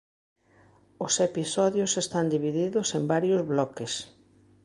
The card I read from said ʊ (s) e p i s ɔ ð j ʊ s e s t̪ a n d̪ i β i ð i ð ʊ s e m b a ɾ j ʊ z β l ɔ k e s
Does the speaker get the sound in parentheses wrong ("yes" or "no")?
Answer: no